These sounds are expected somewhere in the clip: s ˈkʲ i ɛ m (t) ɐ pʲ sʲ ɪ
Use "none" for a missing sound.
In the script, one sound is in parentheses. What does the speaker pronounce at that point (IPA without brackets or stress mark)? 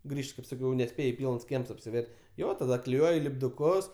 s